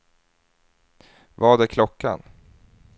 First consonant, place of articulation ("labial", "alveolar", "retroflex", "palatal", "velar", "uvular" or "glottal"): labial